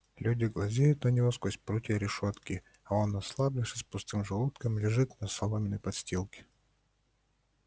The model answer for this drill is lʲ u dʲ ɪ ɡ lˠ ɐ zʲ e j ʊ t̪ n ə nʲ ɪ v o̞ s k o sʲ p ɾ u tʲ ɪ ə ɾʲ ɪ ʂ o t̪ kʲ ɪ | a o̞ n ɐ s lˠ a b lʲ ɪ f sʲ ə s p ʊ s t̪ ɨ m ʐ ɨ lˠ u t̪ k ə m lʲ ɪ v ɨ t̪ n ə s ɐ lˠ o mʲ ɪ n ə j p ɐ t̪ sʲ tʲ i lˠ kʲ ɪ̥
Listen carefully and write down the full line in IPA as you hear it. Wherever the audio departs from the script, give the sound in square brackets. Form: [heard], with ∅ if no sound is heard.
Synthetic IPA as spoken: lʲ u dʲ ɪ ɡ lˠ ɐ zʲ e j ʊ t̪ n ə nʲ ɪ v o̞ s k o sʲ p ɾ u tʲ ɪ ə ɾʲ ɪ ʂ o t̪ kʲ ɪ | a o̞ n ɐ s lˠ a b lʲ ɪ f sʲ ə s p ʊ s t̪ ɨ m ʐ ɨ lˠ u t̪ k ə m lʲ ɪ [ʐ] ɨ t̪ n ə s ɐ lˠ o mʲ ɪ n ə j p ɐ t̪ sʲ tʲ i lˠ kʲ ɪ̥